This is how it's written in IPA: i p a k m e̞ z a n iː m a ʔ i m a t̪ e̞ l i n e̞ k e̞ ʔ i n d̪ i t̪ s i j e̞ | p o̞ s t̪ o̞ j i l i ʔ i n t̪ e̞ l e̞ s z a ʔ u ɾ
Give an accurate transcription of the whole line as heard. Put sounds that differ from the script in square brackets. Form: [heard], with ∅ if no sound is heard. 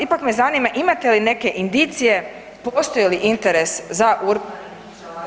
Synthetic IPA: i p a k m e̞ z a n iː m a ʔ i m a t̪ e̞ l i n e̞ k e̞ ʔ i n d̪ i t̪ s i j e̞ | p o̞ s t̪ o̞ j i l i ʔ i n t̪ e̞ [ɾ] e̞ s z a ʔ u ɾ